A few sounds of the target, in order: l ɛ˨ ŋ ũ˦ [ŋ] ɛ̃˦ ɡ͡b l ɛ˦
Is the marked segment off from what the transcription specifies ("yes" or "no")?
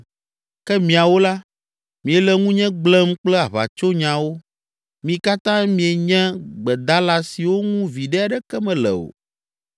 yes